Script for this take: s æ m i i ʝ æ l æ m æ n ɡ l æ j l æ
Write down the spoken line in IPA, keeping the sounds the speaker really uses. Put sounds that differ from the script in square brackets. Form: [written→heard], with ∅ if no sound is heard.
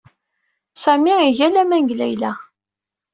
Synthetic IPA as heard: s æ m i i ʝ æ l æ m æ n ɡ l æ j l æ